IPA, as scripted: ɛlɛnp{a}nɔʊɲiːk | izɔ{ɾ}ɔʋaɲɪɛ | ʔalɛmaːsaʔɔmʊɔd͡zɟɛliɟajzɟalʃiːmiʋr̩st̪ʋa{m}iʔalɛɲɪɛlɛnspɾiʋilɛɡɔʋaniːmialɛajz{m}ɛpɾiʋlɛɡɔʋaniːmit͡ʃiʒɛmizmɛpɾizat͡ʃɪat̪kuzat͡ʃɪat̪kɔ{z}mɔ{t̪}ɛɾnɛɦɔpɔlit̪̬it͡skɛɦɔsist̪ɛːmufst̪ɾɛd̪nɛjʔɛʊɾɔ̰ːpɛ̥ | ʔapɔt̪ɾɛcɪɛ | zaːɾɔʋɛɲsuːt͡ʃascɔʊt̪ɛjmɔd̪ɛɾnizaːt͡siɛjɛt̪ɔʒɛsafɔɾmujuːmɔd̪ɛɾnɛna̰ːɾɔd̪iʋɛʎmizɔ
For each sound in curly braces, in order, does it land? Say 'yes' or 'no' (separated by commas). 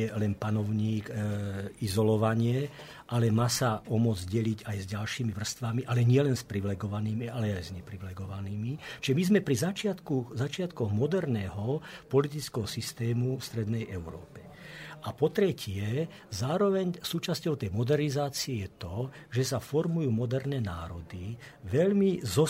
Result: yes, no, yes, no, no, no